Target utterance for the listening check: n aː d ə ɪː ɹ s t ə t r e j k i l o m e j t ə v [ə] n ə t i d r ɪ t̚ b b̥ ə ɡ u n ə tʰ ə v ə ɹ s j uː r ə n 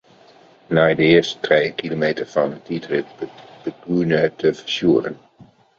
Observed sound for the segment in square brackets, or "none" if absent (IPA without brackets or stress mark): ɑ